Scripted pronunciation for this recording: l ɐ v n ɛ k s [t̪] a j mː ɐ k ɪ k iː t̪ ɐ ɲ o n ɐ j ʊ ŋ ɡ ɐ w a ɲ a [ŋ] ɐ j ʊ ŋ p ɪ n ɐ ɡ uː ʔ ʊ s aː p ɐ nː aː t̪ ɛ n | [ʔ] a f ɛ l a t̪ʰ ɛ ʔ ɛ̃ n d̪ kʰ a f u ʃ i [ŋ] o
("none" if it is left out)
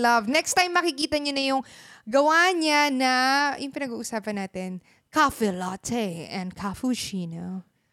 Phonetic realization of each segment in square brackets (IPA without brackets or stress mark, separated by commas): t̪, n, k, n